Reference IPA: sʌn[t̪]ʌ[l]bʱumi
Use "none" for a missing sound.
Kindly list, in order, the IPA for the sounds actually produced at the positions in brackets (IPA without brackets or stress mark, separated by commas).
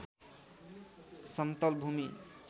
t̪, l